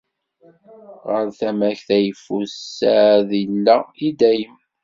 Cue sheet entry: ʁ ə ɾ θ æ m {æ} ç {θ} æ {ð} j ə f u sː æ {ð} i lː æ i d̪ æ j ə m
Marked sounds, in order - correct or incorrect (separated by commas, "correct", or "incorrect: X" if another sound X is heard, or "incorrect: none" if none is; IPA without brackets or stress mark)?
correct, correct, incorrect: none, correct